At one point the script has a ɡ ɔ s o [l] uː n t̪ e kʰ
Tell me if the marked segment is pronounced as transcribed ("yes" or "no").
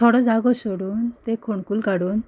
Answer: no